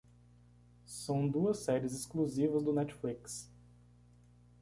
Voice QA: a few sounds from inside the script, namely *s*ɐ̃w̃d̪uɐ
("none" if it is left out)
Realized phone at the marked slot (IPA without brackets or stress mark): s